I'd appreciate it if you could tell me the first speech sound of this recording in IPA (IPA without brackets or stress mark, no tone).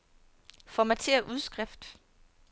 f